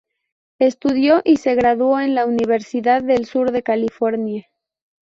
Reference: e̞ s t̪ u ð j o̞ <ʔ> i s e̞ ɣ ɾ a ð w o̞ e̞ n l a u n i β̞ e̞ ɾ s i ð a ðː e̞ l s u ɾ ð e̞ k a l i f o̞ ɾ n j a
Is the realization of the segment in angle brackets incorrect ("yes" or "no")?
no